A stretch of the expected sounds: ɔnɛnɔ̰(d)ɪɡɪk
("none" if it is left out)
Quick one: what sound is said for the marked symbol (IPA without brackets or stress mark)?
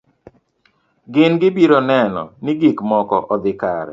n